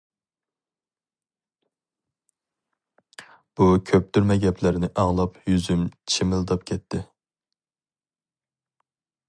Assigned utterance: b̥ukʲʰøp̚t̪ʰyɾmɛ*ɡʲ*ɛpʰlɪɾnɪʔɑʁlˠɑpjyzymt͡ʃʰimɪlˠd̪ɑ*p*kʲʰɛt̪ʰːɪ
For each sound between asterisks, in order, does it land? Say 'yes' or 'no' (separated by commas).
yes, yes